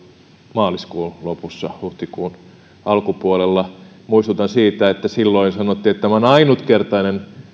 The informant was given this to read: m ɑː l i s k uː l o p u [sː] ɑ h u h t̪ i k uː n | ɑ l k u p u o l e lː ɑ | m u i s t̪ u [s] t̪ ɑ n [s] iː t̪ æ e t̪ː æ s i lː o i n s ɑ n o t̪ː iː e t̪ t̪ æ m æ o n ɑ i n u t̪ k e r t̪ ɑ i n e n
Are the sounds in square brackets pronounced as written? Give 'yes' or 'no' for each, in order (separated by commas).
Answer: yes, no, yes